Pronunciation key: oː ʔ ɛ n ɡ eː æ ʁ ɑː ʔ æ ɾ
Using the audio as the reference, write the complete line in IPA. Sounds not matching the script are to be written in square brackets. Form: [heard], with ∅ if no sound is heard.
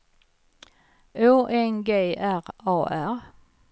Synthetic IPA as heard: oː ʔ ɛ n ɡ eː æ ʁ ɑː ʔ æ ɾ